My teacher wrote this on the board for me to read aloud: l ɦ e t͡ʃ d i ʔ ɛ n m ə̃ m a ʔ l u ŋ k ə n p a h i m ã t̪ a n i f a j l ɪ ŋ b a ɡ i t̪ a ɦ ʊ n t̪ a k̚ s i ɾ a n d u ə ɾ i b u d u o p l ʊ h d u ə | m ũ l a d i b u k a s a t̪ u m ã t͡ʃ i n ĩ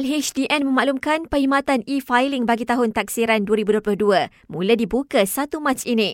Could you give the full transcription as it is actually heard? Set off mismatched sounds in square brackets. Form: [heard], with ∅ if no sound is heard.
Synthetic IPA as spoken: l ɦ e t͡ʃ d i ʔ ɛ n m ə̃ m a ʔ l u [m] k [a] n p [ə] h i m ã t̪ a n i f a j l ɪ ŋ b a ɡ i t̪ a ɦ ʊ n t̪ a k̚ s i ɾ a n d u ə ɾ i b u d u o p l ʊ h d u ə | m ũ l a d i b u k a s a t̪ u m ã t͡ʃ i n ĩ